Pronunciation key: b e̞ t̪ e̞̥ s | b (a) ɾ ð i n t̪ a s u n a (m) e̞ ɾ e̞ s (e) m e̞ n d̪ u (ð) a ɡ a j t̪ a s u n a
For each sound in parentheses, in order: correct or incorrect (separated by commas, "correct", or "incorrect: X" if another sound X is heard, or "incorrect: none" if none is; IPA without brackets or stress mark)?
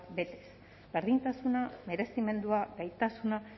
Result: incorrect: e, correct, incorrect: i, incorrect: none